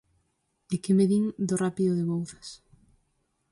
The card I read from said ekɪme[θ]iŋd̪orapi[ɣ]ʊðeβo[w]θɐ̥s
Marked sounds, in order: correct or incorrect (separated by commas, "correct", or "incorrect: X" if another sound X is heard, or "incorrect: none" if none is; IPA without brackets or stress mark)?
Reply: incorrect: ð, incorrect: ð, correct